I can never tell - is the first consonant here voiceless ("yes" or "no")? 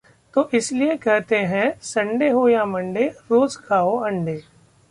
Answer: yes